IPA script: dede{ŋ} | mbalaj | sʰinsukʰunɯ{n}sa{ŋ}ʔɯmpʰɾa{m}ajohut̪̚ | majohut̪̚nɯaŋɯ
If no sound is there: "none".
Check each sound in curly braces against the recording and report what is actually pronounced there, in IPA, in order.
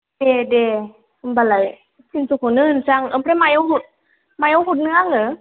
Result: none, n, ŋ, m

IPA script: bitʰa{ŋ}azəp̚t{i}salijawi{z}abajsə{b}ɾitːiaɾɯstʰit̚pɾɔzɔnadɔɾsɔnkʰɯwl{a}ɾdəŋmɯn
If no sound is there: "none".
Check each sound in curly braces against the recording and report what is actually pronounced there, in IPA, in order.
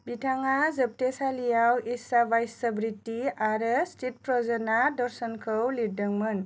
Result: ŋ, e, s, b, i

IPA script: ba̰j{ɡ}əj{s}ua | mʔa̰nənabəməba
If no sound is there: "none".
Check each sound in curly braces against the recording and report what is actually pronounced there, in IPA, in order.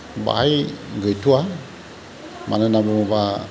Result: ɡ, t

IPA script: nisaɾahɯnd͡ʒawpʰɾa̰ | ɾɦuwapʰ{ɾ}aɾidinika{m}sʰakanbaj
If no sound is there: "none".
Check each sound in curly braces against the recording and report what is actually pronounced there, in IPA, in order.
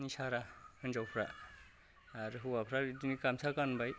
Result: ɾ, m

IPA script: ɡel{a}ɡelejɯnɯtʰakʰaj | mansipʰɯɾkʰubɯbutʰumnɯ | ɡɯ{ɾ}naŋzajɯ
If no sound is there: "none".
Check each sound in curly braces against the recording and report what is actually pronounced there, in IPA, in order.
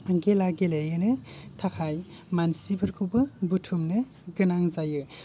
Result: a, none

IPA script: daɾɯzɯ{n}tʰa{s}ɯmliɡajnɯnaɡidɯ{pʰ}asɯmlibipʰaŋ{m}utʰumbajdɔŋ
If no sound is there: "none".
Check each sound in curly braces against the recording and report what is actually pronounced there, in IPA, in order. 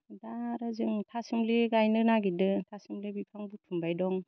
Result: ŋ, s, tʰ, b

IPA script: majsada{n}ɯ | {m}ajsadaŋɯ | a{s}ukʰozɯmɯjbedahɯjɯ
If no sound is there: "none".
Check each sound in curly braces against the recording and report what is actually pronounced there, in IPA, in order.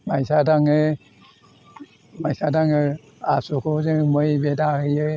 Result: ŋ, m, s

